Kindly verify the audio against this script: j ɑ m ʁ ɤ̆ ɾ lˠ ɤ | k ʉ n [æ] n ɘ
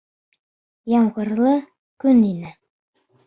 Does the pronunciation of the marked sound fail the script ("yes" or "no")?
yes